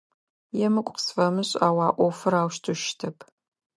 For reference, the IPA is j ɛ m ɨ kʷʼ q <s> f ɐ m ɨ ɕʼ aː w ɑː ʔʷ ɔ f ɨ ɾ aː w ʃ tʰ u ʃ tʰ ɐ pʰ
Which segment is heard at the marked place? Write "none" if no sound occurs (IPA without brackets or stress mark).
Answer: s